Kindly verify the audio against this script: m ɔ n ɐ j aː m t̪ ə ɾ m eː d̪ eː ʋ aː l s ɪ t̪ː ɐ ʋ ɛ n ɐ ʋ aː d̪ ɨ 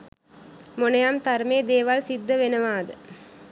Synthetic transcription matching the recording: m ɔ n ɐ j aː m t̪ ɐ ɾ m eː d̪ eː ʋ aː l s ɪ d̪ː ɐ ʋ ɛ n ɐ ʋ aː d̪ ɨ

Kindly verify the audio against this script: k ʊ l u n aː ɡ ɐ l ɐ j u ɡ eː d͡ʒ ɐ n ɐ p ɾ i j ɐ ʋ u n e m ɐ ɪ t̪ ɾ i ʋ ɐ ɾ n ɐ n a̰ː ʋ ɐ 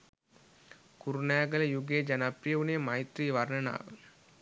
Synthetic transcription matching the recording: k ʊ ɾ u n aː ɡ ɐ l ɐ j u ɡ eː d͡ʒ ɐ n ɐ p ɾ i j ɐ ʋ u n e m ɐ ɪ t̪ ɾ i ʋ ɐ ɾ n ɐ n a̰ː ʋ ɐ

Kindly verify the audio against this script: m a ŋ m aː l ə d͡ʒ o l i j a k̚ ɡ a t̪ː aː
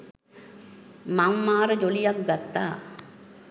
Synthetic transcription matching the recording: m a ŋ m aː ɾ ə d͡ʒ o l i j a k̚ ɡ a t̪ː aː

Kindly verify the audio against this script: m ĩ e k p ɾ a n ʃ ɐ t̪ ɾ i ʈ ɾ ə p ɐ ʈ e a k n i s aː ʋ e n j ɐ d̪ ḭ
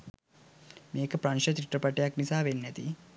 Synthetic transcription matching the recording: m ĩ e k p ɾ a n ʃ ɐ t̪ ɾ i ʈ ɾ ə p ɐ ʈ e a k n i s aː ʋ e n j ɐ t̪ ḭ

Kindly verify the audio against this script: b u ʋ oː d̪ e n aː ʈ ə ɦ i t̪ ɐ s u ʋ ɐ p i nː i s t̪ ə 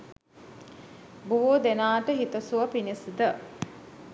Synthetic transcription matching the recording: b u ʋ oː d̪ e n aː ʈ ə ɦ i t̪ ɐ s u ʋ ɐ p i n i s d̪ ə

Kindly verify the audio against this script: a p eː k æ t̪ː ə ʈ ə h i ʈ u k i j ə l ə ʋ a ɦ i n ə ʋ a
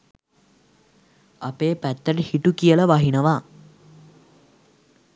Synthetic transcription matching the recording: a p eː p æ t̪ː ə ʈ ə h i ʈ u k i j ə l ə ʋ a ɦ i n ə ʋ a

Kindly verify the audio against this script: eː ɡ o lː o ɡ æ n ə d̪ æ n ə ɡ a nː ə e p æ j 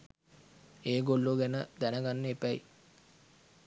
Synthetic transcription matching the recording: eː ɡ o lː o ɡ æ n ə d̪ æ n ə ɡ a nː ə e p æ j

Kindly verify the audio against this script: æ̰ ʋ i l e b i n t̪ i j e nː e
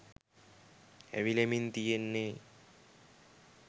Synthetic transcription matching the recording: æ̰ ʋ i l e m i n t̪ i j e nː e

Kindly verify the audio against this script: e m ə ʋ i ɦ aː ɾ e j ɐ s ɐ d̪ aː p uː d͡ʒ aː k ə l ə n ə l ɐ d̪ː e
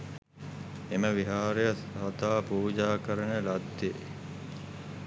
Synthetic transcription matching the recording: e m ə ʋ i ɦ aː ɾ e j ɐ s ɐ t̪ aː p uː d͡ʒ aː k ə ɾ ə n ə l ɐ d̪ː e

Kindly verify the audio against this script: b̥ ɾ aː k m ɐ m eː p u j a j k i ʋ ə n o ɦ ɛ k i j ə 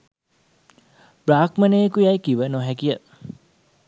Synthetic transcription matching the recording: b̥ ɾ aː k m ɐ n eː k u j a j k i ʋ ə n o ɦ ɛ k i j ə

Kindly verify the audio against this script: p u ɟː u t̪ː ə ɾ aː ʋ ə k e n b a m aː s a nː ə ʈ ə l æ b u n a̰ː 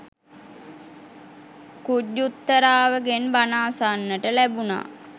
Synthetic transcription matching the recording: k u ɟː u t̪ː ə ɾ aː ʋ ə ɡ e n b a n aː s a nː ə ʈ ə l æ b u n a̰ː

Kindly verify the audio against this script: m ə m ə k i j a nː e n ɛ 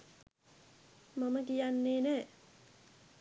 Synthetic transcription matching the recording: m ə m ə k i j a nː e n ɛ

